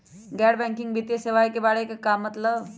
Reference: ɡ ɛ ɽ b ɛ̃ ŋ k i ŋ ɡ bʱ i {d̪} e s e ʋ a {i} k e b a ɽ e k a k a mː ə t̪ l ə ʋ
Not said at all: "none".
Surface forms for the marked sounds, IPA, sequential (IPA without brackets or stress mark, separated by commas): t̪, j